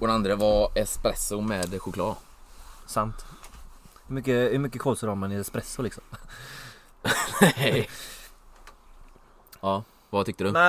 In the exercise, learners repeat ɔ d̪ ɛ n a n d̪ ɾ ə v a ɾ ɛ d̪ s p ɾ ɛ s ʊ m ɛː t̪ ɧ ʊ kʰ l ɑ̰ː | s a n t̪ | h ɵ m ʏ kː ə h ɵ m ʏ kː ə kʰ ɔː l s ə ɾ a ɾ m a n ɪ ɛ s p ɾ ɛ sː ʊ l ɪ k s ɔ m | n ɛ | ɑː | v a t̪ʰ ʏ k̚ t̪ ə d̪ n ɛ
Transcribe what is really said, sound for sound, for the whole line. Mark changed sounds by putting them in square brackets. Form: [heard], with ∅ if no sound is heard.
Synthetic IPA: ɔ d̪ ɛ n a n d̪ ɾ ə v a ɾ ɛ [∅] s p ɾ ɛ s ʊ m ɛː [d̪] ɧ ʊ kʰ l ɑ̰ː | s a n t̪ | h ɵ m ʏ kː ə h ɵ m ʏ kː ə kʰ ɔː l s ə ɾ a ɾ m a n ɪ ɛ s p ɾ ɛ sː ʊ l ɪ k s ɔ m | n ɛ | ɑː | v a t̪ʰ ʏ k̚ t̪ ə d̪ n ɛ